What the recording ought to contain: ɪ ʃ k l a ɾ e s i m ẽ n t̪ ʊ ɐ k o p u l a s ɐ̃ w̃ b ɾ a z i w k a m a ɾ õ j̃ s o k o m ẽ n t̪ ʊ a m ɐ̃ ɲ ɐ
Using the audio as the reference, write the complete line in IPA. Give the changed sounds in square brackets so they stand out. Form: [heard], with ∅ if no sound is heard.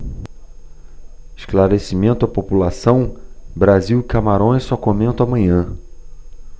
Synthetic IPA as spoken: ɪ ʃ k l a ɾ e s i m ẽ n t̪ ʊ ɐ [p] o p u l a s ɐ̃ w̃ b ɾ a z i w k a m a ɾ õ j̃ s [ɔ] k o m ẽ n t̪ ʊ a m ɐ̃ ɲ [ɐ̃]